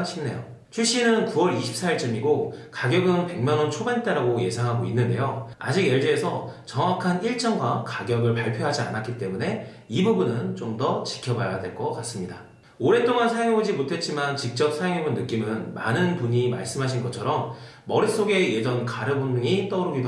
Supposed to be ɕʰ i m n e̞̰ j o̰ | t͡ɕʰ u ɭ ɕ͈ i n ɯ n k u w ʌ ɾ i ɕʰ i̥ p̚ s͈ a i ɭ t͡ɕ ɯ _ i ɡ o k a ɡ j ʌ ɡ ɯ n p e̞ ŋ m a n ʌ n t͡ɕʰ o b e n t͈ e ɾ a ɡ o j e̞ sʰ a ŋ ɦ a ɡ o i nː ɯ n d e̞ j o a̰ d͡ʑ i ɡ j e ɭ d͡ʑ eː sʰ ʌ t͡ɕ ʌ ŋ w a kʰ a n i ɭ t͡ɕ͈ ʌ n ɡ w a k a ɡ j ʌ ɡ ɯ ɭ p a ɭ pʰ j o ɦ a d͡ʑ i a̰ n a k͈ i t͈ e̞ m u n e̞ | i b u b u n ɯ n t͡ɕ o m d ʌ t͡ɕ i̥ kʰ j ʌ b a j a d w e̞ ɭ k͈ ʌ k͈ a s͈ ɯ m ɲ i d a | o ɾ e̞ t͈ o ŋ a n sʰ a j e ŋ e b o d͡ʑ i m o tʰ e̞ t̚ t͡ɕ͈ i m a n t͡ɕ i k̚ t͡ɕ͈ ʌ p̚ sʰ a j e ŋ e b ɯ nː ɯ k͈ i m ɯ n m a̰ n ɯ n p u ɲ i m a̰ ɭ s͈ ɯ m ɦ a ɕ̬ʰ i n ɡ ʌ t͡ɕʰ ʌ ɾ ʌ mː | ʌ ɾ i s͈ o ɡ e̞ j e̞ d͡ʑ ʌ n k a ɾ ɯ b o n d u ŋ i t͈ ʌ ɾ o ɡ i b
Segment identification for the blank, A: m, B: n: A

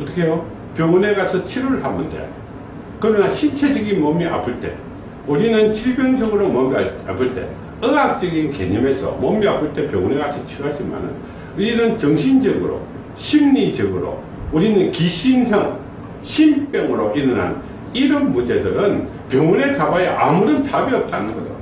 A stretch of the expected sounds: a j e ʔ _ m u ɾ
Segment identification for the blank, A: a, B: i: A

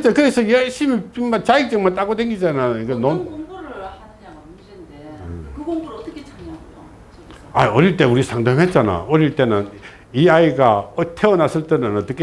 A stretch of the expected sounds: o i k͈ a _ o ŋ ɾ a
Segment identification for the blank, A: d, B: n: B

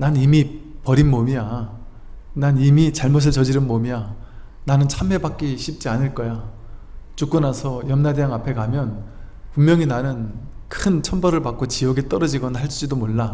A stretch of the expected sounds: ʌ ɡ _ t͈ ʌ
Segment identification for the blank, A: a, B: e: B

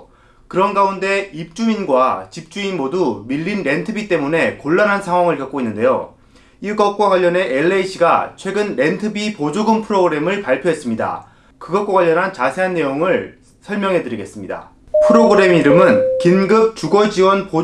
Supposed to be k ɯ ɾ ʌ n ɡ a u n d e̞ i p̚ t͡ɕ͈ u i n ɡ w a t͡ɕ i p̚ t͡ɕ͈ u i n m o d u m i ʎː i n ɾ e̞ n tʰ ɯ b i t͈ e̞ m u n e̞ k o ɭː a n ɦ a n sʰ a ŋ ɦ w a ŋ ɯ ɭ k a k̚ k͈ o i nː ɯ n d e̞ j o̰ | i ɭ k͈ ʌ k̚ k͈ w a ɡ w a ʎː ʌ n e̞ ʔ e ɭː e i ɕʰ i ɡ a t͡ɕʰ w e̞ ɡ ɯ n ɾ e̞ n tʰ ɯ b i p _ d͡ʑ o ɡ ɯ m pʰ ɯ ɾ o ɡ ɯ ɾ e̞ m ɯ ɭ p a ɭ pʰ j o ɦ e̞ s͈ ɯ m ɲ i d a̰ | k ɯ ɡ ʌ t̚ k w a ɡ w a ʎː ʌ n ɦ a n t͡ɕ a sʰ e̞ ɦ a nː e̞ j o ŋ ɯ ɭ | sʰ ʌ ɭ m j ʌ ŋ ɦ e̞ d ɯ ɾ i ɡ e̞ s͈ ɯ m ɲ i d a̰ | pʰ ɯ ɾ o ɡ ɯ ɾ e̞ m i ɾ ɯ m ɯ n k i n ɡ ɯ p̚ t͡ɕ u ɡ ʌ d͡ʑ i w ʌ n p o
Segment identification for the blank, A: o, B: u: A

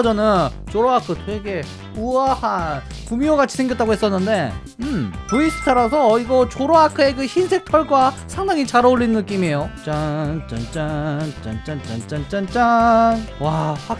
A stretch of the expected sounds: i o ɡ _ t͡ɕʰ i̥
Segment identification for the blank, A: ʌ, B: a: B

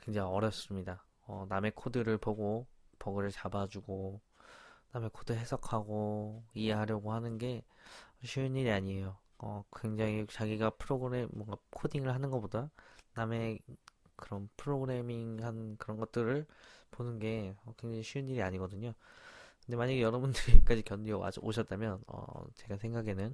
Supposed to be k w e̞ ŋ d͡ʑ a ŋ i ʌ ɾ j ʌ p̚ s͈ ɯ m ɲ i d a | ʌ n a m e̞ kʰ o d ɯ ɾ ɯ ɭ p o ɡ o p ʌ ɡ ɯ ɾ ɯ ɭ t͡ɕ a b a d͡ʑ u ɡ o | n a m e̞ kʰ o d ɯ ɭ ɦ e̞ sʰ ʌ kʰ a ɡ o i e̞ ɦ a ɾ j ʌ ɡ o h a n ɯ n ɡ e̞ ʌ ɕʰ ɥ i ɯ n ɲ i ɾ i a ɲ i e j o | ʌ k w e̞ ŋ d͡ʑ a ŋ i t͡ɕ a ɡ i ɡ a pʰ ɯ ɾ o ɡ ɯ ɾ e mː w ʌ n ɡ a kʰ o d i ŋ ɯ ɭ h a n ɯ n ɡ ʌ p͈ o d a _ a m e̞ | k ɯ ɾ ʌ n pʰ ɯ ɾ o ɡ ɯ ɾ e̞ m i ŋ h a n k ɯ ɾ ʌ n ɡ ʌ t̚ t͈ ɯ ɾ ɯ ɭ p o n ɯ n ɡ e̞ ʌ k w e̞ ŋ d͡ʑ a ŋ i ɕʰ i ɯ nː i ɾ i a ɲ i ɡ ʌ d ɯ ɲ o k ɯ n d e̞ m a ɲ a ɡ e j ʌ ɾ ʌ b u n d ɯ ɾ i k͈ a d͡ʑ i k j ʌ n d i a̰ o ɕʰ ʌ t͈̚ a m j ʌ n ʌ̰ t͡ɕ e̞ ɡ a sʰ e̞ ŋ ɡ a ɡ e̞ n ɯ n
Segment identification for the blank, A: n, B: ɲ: A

